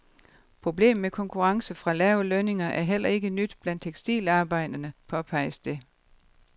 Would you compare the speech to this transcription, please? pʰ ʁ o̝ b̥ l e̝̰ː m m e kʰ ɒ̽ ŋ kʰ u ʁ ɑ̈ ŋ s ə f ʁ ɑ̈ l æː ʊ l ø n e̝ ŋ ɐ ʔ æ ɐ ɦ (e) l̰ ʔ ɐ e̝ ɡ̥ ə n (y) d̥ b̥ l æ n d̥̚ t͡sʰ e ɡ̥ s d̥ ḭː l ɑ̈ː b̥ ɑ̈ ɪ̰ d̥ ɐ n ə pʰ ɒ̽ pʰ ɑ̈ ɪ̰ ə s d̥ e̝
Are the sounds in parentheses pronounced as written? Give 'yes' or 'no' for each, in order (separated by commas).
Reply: yes, yes